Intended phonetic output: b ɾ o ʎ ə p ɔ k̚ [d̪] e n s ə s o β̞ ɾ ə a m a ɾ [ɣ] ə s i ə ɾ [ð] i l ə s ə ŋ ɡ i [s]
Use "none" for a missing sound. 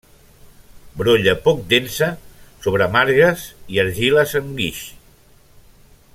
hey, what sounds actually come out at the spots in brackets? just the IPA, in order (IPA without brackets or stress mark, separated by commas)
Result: d̪, ɣ, ʒ, ʃ